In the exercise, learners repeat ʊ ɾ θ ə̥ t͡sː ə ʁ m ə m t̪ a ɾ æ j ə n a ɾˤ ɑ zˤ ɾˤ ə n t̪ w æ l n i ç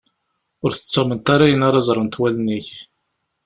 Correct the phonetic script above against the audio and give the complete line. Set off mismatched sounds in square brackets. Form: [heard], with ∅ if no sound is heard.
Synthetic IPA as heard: ʊ ɾ θ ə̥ t͡sː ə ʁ m ə [n] t̪ a ɾ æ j ə n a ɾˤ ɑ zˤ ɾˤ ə n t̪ w æ l n i ç